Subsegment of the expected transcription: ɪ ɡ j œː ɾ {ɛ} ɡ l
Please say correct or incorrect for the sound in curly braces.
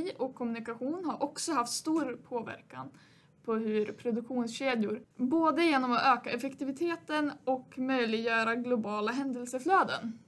incorrect